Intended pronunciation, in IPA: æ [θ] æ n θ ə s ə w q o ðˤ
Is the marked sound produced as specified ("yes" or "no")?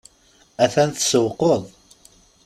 yes